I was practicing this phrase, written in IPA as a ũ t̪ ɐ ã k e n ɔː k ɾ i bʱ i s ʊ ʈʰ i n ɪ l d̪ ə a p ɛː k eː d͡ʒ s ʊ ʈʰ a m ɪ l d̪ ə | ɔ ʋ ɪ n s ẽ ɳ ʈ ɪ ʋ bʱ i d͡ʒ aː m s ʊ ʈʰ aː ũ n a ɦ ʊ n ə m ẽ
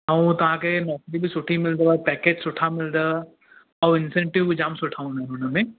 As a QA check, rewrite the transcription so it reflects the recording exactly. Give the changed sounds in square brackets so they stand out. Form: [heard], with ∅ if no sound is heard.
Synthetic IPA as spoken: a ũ t̪ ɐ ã k e n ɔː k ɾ i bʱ i s ʊ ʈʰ i [m] ɪ l d̪ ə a p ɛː k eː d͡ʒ s ʊ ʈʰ a m ɪ l d̪ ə | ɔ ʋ ɪ n s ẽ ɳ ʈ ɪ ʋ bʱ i d͡ʒ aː m s ʊ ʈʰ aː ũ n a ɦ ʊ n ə m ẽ